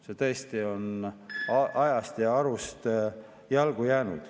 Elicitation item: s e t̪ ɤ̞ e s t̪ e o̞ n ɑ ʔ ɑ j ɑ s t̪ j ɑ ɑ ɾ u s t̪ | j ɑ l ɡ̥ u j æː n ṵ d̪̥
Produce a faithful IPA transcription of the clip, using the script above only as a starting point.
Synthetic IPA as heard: s e t̪ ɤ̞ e s t̪ i o̞ n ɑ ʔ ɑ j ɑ s t̪ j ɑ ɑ ɾ u s t̪ | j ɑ l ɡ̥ u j æː n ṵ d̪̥